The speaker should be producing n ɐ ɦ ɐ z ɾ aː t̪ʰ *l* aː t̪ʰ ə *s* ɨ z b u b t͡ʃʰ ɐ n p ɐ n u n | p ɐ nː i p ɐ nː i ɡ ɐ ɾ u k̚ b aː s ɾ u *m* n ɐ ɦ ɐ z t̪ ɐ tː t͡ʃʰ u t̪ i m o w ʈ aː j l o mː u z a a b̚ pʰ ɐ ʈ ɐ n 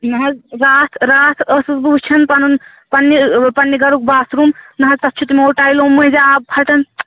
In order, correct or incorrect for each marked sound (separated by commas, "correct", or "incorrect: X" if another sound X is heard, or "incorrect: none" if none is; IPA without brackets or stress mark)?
incorrect: ɾ, correct, correct